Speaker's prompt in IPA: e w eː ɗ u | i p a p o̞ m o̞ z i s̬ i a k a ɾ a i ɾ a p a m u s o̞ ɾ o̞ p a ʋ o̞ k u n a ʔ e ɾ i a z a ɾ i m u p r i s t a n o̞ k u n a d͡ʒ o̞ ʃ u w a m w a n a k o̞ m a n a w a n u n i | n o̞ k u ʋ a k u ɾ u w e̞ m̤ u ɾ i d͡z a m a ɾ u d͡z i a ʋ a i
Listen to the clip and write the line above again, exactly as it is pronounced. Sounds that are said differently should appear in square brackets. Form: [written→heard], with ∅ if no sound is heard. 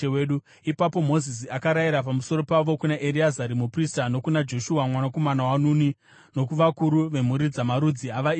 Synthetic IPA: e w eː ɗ u | i p a p o̞ m o̞ z i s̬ i a k a ɾ a i ɾ a p a m u s o̞ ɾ o̞ p a ʋ o̞ k u n a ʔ e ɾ i a z a ɾ i m u p r i s t a n o̞ k u n a d͡ʒ o̞ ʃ u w a m w a n a k o̞ m a n a w a n u n i | n o̞ k u ʋ a k u ɾ u [w→ʋ] e̞ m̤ u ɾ i d͡z a m a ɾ u d͡z i a ʋ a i